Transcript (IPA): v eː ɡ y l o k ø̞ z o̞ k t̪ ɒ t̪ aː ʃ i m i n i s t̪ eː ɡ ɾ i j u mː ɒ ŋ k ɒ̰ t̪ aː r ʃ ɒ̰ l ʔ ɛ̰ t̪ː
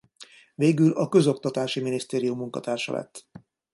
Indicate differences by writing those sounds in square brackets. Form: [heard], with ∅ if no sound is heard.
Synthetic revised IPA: v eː ɡ y l [ɒ] k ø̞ z o̞ k t̪ ɒ t̪ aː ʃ i m i n i s t̪ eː [∅] ɾ i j u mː [u] ŋ k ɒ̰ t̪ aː r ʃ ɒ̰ l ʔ ɛ̰ t̪ː